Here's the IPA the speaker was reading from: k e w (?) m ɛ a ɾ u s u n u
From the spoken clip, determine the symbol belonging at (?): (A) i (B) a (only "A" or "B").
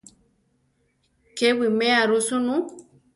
A